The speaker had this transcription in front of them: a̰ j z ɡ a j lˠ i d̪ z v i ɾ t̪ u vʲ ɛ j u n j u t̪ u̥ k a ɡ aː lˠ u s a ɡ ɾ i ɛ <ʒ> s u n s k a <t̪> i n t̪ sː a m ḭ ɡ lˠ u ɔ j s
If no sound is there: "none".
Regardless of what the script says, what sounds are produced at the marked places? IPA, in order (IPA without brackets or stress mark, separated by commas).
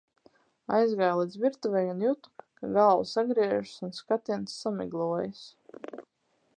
ʒ, t̪